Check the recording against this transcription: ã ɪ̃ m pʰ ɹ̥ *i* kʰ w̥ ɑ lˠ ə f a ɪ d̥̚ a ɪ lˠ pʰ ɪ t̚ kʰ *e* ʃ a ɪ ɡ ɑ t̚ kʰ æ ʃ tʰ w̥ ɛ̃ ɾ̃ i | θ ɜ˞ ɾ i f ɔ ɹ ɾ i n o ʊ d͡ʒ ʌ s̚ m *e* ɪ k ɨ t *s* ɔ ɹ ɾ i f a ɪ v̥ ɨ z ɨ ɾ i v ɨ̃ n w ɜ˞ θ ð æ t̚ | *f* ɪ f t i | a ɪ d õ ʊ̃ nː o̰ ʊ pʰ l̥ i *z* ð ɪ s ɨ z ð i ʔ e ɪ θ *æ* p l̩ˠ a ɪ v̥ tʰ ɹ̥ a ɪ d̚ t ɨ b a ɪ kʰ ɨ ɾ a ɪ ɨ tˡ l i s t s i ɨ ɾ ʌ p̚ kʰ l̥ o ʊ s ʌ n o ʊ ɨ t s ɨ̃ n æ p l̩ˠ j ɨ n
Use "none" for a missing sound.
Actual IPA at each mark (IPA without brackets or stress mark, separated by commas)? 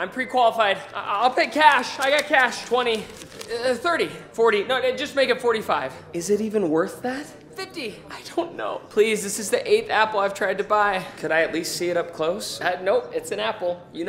i, æ, e, f, f, z, æ